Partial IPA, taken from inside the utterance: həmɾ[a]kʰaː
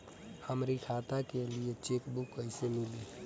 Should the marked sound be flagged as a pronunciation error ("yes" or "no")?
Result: yes